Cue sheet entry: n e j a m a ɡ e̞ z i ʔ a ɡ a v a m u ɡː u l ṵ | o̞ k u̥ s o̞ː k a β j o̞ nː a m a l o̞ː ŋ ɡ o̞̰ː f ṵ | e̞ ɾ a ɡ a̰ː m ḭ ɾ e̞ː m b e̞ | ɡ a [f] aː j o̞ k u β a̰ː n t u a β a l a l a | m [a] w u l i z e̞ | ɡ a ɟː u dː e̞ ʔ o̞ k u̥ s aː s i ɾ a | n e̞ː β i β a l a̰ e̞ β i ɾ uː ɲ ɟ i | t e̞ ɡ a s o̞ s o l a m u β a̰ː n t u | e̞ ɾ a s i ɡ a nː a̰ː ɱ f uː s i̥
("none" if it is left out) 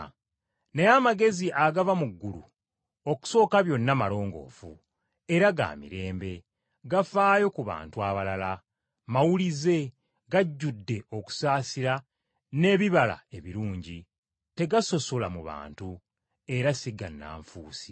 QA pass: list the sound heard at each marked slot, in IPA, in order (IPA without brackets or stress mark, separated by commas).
f, a